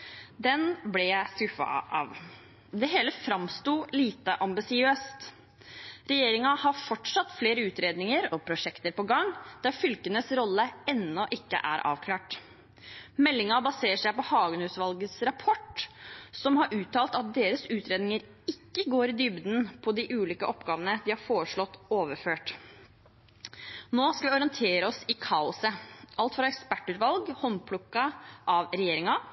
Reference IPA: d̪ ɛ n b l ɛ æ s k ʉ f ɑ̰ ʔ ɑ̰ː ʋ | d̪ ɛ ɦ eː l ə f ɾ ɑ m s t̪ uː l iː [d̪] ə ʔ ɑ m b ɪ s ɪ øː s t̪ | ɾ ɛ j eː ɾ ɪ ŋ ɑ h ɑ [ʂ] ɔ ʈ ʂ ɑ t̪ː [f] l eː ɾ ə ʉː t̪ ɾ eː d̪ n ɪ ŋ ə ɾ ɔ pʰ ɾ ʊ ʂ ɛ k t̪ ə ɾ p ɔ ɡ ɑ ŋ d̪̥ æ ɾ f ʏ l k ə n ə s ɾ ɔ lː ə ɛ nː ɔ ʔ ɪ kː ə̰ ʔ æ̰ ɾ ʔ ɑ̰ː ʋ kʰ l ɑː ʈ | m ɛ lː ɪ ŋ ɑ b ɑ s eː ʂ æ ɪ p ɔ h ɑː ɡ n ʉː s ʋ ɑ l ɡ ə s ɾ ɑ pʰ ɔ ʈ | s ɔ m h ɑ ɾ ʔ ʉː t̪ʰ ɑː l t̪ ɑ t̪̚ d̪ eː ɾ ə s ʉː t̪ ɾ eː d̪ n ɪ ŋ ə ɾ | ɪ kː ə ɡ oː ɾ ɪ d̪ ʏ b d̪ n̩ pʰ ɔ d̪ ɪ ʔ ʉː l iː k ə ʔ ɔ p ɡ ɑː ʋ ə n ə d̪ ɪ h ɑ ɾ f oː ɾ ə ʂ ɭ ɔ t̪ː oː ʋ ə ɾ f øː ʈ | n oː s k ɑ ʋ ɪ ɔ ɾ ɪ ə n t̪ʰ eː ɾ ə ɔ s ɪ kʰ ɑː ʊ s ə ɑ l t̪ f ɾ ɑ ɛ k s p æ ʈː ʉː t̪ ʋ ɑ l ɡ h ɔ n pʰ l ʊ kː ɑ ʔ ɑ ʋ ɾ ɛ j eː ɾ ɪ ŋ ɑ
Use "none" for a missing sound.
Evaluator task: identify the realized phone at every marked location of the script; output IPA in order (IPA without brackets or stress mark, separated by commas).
t̪, f, f